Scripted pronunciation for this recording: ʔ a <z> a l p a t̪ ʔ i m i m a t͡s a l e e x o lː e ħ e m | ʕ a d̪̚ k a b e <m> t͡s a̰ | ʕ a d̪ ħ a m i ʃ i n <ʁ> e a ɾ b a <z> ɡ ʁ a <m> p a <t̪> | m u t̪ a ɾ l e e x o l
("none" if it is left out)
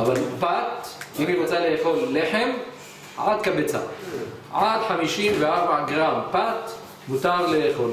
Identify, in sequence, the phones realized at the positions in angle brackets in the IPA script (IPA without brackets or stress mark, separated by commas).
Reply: v, none, v, ʕ, m, t̪